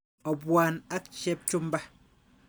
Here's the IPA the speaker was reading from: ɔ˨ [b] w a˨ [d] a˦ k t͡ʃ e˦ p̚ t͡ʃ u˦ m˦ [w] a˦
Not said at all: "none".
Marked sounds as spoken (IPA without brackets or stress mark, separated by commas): b, n, b